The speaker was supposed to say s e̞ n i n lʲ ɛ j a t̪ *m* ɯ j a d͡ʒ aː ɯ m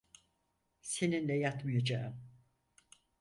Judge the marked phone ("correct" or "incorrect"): correct